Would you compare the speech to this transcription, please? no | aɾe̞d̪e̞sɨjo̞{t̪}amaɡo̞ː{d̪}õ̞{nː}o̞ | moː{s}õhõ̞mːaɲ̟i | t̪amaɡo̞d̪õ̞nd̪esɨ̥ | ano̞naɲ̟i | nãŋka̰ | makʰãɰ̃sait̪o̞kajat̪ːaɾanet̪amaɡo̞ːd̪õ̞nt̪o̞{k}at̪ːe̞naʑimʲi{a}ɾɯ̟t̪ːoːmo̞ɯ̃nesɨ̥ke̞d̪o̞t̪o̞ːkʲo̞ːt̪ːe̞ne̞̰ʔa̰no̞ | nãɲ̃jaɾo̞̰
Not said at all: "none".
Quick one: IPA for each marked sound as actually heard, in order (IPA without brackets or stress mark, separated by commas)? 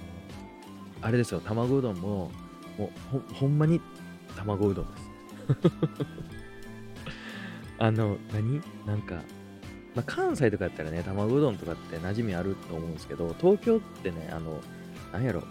t̪, d̪, mː, h, k, a